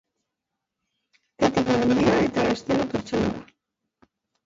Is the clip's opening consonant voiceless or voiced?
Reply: voiceless